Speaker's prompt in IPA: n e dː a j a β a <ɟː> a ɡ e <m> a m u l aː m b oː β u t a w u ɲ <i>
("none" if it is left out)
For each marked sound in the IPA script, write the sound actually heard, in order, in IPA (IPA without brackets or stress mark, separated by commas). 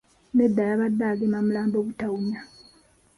dː, m, a